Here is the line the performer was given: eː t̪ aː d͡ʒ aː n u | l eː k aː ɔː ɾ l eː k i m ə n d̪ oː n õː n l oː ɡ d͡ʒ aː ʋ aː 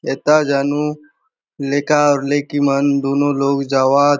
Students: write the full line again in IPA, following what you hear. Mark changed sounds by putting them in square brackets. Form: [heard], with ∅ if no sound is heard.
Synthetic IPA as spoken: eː t̪ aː d͡ʒ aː n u | l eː k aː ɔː ɾ l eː k i m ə n d̪ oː n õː [∅] l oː ɡ d͡ʒ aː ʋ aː